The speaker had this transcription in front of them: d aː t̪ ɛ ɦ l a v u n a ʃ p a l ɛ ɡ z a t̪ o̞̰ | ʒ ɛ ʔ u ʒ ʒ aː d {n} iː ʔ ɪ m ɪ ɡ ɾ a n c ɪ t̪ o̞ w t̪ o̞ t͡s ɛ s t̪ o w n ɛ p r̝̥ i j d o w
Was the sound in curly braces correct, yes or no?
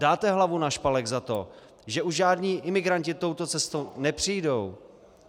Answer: no